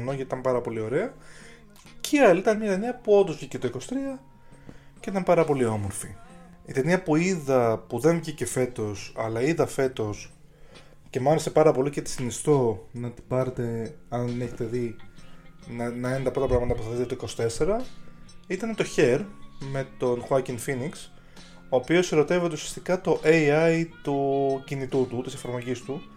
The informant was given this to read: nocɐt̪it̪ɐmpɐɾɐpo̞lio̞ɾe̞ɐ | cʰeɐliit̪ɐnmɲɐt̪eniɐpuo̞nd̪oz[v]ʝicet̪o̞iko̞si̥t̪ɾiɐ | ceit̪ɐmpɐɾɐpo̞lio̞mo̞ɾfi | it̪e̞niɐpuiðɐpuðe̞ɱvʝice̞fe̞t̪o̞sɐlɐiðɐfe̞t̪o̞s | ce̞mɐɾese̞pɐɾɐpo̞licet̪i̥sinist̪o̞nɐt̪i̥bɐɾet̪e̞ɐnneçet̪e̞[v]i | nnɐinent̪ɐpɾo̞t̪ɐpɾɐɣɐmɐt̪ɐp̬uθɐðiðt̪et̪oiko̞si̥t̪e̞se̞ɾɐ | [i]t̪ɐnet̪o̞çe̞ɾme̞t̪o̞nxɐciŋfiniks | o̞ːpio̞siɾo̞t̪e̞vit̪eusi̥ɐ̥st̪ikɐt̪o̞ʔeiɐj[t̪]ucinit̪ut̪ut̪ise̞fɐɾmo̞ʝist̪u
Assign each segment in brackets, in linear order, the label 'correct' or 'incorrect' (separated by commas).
correct, incorrect, correct, correct